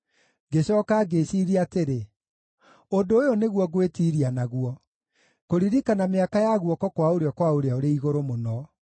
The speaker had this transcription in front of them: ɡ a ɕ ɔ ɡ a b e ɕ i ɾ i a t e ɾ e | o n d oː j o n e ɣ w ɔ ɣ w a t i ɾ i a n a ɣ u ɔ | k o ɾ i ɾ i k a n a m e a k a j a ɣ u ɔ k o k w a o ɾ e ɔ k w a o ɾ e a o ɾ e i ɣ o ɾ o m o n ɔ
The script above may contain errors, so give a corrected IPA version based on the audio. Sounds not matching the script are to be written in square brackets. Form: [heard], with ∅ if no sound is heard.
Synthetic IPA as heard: ɡ [e] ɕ ɔ [k] a [ɡ] e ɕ i ɾ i a t e ɾ e | o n d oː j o n e ɣ w ɔ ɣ w [e] t i ɾ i a n a ɣ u ɔ | k o ɾ i ɾ i k a n a m e a k a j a ɣ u ɔ k [ɔ] k w a o ɾ e ɔ k w a o ɾ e a o ɾ e i ɣ o ɾ o m o n ɔ